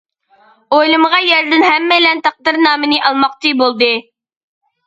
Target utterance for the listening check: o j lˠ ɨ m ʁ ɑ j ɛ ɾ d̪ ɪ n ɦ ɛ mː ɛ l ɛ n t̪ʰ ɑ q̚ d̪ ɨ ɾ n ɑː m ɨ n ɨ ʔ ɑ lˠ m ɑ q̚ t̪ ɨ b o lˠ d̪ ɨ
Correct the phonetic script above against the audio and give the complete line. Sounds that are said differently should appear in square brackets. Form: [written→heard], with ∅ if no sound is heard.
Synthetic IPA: o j lˠ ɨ m ʁ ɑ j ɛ ɾ d̪ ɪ n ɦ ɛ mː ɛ l ɛ n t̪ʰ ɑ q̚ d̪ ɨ ɾ n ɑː m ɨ n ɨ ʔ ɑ lˠ m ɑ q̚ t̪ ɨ b o lˠ d̪ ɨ